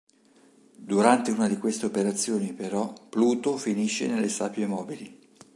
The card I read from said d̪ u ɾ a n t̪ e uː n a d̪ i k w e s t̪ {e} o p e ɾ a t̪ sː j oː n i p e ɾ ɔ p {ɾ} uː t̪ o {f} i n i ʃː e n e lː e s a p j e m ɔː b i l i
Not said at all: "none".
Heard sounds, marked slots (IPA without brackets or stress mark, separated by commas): e, l, f